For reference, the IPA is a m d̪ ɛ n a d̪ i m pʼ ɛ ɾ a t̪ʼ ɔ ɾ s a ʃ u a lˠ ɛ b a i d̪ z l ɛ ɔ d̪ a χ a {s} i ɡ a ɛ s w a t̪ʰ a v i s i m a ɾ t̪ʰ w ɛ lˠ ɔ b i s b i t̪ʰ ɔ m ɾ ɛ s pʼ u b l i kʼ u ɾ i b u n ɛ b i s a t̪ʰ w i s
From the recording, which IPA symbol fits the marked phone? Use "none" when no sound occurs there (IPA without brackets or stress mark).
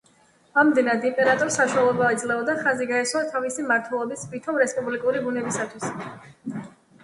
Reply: z